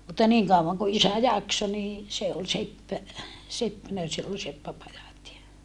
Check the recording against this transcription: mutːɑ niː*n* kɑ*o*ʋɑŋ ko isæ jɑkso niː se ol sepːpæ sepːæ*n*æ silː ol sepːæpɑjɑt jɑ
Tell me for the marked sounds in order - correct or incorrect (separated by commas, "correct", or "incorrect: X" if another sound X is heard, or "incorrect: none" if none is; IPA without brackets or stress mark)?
incorrect: ŋ, incorrect: u, correct